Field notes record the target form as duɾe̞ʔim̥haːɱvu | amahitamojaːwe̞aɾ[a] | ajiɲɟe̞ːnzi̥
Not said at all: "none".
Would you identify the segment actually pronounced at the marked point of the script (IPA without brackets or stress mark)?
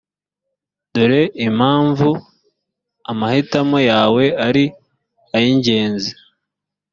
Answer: i